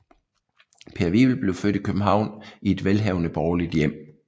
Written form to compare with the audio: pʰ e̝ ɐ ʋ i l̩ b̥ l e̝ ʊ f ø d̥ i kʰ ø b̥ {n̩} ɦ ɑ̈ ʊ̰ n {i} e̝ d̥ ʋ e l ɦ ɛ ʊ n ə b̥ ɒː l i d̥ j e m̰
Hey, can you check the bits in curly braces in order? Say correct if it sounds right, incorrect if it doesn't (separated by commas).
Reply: incorrect, correct